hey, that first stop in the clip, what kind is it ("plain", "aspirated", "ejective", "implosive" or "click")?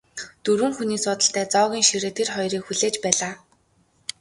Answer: plain